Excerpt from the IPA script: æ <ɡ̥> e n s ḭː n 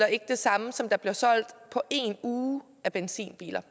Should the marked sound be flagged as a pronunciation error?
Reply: yes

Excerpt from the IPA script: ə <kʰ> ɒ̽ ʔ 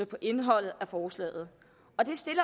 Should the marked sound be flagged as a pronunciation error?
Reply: yes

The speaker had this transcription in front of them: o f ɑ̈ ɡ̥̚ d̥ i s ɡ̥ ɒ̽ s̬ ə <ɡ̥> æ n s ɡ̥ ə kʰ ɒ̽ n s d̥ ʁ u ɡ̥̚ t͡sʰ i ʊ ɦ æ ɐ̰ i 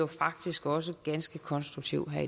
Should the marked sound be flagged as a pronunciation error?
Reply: no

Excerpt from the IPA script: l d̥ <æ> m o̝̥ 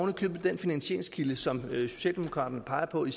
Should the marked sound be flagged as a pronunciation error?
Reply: yes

